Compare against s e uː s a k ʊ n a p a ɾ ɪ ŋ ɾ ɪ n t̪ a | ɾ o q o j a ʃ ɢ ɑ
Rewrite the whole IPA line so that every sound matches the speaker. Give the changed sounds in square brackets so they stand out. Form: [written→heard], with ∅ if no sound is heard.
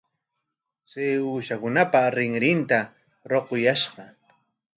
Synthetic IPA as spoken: s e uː [s→ʃ] a k ʊ n a p a ɾ ɪ ŋ ɾ ɪ n t̪ a | ɾ o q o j a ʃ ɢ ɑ